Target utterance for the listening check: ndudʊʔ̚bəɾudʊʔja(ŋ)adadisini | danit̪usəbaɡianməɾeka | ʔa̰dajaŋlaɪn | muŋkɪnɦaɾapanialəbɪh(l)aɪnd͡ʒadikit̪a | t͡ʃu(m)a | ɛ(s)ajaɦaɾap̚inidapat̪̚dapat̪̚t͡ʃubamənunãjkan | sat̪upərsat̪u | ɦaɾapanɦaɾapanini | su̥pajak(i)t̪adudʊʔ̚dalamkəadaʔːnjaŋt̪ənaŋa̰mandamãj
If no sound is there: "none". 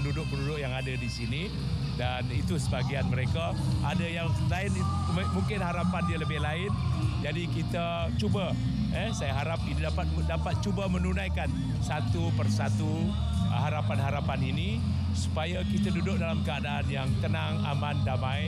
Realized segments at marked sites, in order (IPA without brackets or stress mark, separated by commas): ŋ, l, b, s, i